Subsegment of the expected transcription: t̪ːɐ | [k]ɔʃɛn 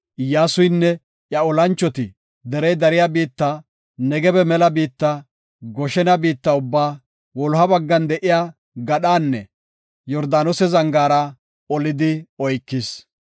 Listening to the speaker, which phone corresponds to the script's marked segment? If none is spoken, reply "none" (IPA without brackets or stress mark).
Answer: ɡ